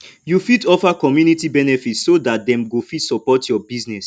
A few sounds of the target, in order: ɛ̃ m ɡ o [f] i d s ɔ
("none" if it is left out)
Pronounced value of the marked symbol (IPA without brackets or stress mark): f